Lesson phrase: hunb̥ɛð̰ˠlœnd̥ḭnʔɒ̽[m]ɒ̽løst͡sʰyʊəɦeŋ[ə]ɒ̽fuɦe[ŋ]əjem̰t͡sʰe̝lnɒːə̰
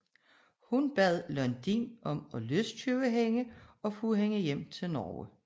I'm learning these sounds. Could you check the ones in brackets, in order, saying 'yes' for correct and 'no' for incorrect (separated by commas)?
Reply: yes, yes, yes